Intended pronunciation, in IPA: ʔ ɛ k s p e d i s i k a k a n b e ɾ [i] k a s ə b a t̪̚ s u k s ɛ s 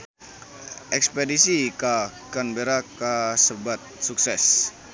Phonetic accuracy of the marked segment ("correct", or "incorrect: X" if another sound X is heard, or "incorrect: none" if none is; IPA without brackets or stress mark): incorrect: a